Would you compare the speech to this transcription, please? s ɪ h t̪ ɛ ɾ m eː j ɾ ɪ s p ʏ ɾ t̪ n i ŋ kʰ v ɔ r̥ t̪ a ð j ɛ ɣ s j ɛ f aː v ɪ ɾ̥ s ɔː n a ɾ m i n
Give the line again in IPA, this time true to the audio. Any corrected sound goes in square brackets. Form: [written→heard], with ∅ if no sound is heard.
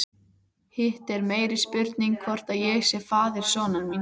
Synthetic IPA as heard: [s→h] ɪ h t̪ ɛ ɾ m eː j ɾ ɪ s p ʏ ɾ t̪ n i ŋ kʰ v ɔ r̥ t̪ a ð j ɛ ɣ s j ɛ f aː [v→ð] ɪ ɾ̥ s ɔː n a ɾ m i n